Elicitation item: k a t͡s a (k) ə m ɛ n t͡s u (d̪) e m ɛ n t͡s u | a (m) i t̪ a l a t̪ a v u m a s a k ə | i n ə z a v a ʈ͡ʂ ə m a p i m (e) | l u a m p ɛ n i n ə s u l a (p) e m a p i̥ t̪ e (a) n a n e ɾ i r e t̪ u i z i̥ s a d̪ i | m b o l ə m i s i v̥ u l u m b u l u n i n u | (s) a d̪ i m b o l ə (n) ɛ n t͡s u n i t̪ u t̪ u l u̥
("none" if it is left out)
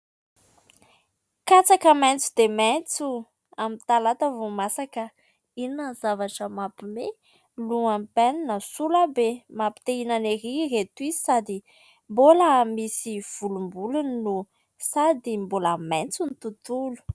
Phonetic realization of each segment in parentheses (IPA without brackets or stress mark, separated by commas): k, d̪, m, e, b, i, s, m